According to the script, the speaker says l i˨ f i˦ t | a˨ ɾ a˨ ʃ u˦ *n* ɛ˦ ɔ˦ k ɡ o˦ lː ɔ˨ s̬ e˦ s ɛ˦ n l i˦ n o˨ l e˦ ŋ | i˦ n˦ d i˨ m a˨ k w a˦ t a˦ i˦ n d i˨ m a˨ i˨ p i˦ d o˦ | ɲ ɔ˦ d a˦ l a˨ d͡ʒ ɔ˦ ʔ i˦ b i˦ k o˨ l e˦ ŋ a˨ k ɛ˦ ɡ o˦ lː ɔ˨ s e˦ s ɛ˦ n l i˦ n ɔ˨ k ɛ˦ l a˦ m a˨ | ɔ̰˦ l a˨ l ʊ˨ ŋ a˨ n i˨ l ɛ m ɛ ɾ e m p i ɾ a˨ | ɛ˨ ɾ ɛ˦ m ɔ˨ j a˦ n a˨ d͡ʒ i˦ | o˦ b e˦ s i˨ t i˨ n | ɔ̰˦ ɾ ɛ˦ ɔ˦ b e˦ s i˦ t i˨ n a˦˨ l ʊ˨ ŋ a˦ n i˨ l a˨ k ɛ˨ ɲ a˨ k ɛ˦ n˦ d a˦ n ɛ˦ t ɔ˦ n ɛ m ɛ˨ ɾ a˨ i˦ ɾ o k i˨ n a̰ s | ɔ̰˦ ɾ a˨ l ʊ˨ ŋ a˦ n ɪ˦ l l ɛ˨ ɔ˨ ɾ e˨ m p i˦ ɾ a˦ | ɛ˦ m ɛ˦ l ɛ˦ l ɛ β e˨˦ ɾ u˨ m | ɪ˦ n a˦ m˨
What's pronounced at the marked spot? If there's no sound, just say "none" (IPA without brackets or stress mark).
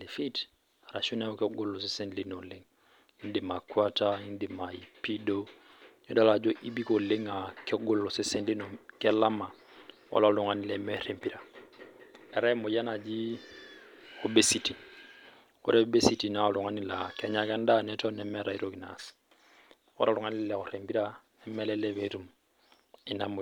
n